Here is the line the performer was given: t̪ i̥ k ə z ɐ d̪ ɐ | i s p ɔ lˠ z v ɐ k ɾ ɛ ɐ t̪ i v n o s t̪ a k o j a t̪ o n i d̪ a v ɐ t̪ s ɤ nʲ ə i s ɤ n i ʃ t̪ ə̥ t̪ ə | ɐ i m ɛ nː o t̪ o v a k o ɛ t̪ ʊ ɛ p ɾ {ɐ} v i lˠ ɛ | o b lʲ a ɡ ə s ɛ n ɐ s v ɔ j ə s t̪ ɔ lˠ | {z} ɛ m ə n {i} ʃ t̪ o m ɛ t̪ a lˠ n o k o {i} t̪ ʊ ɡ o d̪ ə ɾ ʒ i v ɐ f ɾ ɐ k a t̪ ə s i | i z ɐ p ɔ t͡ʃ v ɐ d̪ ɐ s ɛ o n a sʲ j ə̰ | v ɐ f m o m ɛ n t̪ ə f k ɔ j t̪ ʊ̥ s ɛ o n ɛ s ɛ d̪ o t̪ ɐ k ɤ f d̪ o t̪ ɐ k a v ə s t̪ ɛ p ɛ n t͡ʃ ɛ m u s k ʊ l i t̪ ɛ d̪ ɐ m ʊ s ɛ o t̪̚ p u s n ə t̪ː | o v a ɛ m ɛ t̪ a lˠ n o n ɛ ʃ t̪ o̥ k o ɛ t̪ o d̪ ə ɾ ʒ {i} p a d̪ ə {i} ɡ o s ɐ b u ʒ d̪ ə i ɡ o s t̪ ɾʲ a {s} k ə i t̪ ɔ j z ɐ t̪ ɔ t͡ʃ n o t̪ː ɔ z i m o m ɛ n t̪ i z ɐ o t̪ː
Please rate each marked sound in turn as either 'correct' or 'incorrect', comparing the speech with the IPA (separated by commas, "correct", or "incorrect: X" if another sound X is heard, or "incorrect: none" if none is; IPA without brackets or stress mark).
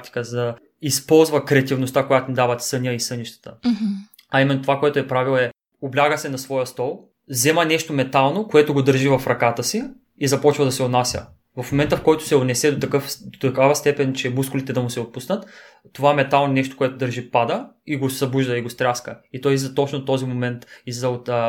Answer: incorrect: a, correct, incorrect: ɛ, incorrect: ɛ, correct, correct, correct